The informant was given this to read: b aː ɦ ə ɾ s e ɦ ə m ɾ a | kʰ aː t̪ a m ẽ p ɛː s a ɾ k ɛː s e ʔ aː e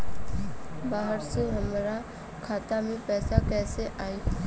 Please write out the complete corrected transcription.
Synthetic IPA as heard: b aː ɦ ə ɾ s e ɦ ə m ɾ a | kʰ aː t̪ a m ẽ p ɛː s a k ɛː s e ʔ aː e